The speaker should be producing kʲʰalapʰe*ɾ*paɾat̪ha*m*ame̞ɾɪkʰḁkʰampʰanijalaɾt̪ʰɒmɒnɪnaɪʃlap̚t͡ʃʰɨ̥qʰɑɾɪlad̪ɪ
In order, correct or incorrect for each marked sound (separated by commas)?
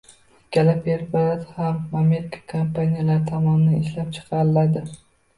correct, correct